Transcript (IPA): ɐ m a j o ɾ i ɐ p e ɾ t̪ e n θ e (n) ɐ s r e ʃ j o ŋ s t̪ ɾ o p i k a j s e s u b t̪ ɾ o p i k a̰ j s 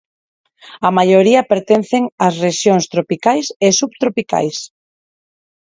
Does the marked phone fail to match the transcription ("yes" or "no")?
yes